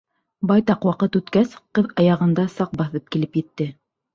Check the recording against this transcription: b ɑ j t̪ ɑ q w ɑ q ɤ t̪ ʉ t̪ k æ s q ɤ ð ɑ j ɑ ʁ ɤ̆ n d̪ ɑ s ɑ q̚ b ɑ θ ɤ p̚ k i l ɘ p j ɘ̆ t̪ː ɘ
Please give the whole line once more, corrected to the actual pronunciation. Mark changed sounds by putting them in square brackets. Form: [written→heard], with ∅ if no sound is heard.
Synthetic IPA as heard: b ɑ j t̪ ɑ q w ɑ q ɤ t̪ ʉ t̪ k æ s q ɤ ð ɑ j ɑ ʁ ɤ̆ n d̪ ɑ s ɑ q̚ b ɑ θ ɤ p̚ k i l ɘ p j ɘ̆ t̪ː ɘ